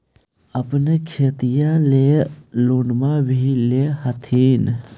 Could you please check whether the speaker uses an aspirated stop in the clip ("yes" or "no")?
yes